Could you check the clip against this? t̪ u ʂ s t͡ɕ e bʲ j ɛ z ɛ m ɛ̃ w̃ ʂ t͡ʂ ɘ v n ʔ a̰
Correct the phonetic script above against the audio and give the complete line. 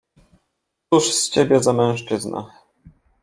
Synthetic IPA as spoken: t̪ u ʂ s t͡ɕ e bʲ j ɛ z a m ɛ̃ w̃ ʂ t͡ʂ ɘ z n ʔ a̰